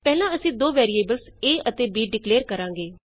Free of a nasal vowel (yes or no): no